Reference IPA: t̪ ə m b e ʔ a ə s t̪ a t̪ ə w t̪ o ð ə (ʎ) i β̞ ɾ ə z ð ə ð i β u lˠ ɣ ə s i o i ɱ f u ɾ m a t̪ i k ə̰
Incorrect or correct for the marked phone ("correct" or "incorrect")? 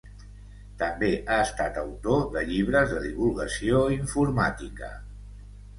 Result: correct